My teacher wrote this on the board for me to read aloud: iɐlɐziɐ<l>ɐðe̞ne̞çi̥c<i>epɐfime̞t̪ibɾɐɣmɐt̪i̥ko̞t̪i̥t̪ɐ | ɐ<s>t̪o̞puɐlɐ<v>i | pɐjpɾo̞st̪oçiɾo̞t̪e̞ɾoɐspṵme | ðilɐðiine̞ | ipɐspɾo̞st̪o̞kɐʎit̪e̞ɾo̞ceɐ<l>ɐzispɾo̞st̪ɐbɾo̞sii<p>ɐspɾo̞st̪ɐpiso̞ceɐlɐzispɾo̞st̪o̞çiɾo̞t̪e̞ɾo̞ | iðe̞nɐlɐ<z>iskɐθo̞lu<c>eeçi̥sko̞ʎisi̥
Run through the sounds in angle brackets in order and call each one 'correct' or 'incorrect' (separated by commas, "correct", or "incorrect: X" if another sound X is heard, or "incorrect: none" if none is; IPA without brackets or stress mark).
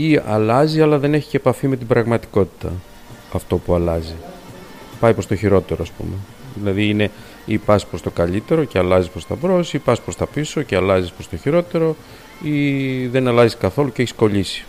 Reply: correct, incorrect: e, incorrect: f, incorrect: z, correct, correct, correct, correct